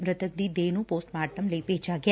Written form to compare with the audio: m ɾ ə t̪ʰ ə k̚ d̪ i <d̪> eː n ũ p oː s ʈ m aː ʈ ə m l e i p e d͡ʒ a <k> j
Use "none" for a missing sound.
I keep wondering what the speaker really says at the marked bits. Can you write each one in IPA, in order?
d̪, ɡ

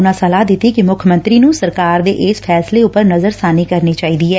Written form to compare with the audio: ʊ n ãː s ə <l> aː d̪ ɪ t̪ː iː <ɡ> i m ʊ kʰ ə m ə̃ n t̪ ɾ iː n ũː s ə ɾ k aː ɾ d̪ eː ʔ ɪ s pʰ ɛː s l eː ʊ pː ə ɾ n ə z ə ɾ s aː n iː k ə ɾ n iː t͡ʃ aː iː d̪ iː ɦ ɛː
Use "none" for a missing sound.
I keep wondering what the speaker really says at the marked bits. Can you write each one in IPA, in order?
l, k

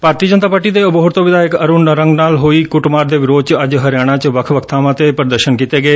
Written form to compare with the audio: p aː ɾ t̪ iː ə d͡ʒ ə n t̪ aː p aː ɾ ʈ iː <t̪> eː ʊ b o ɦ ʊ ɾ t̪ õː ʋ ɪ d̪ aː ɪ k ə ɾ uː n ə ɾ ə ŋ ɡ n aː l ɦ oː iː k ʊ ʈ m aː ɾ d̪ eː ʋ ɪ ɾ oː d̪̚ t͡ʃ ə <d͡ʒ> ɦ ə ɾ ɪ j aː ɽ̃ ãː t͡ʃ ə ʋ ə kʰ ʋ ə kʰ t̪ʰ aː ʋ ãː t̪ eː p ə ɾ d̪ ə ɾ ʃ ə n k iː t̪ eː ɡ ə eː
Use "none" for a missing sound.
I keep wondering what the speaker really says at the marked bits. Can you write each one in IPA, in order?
d̪, d͡ʒ

